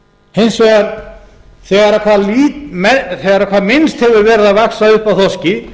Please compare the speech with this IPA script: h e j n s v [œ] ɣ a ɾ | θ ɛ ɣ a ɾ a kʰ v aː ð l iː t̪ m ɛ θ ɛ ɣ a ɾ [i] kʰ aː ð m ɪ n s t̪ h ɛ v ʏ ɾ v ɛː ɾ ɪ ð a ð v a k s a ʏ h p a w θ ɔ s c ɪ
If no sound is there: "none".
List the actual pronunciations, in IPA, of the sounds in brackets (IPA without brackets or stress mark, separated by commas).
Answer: ɛ, a